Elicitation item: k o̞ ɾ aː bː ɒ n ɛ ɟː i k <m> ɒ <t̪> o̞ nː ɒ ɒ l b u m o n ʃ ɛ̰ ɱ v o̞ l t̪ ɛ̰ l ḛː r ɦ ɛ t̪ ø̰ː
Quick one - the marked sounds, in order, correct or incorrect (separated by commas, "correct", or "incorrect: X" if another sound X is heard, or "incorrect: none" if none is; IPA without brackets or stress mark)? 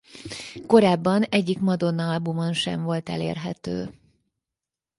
correct, incorrect: d̪